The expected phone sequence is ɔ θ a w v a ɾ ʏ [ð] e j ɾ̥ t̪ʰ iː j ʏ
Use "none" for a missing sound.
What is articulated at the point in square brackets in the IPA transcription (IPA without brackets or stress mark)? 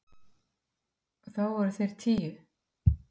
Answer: θ